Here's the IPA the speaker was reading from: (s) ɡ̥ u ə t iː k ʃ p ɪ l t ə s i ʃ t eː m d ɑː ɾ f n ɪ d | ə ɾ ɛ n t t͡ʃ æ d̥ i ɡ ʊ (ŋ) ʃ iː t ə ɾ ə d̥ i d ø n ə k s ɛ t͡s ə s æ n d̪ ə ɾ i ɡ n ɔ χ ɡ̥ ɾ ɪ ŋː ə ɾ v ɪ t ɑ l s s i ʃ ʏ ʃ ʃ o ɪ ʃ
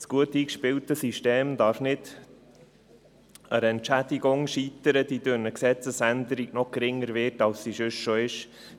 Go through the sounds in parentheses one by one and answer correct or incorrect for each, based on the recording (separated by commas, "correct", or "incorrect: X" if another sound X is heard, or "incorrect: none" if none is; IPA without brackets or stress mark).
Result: correct, correct